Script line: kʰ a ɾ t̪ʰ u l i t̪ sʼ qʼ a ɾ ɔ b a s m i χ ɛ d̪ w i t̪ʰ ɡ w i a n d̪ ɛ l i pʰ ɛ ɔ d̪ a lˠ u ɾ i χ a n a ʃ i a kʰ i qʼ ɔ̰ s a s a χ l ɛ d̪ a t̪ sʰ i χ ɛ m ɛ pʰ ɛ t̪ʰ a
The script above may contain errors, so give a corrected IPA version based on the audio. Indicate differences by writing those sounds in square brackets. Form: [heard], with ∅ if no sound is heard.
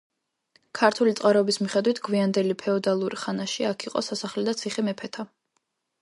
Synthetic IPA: kʰ a ɾ t̪ʰ u l i t̪ sʼ qʼ a ɾ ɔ b [i] s m i χ ɛ d̪ w i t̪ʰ ɡ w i a n d̪ ɛ l i pʰ ɛ ɔ d̪ a lˠ u ɾ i χ a n a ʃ i a kʰ i qʼ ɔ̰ s a s a χ l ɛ d̪ a t̪ sʰ i χ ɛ m ɛ pʰ ɛ t̪ʰ a